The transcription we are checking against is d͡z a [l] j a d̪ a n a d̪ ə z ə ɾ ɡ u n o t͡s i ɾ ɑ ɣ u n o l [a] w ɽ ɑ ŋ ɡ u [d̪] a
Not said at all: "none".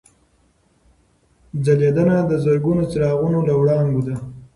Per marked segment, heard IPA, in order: l, a, d̪

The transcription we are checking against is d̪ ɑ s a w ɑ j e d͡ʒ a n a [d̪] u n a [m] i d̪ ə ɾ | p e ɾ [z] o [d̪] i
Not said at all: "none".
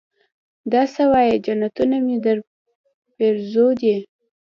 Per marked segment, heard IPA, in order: t̪, m, z, d̪

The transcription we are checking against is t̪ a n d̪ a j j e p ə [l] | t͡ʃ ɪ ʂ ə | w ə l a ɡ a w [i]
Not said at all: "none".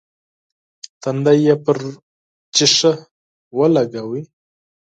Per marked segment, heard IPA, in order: ɾ, i

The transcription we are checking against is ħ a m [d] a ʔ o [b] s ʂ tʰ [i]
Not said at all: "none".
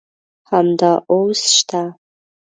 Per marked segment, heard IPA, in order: d, w, a

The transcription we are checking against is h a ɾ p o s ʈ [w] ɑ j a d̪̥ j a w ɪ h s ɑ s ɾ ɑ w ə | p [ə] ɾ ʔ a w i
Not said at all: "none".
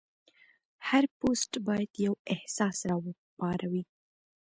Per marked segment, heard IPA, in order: b, ɑ

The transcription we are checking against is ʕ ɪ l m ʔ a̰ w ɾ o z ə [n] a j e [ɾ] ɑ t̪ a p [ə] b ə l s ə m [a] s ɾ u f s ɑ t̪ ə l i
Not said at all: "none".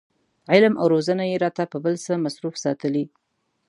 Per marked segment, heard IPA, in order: n, ɾ, ə, a

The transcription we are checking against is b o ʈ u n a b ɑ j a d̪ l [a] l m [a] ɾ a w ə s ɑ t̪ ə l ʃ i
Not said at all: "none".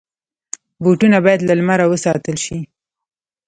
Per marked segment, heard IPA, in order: a, a

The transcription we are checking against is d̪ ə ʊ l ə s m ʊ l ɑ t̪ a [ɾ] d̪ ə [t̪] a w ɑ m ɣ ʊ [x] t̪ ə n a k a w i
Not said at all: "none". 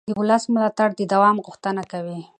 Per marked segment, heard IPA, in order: ɽ, d̪, x

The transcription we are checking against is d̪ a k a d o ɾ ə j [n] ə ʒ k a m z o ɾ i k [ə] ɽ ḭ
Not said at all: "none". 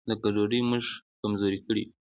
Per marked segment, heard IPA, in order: m, ə

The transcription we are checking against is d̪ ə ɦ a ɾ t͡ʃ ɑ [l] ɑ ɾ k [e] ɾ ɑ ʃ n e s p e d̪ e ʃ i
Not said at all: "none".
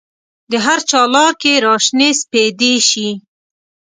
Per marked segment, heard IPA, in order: l, e

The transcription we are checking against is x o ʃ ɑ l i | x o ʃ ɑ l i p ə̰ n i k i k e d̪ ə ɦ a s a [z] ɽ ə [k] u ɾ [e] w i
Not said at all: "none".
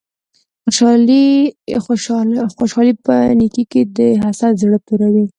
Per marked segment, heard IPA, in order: z, p, a

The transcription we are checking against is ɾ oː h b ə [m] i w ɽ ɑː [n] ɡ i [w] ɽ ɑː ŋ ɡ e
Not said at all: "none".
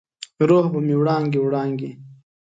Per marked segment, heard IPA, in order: m, ŋ, w

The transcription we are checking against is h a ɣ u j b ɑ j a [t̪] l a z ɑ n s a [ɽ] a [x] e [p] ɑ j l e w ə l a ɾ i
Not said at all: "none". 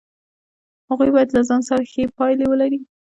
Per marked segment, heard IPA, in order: d̪, ɾ, x, p

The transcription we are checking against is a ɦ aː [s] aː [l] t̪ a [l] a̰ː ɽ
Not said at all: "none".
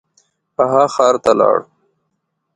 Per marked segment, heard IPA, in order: x, ɾ, l

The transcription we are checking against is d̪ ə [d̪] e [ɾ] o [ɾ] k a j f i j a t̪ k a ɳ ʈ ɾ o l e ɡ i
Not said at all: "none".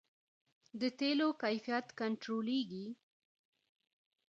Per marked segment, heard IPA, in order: t̪, l, none

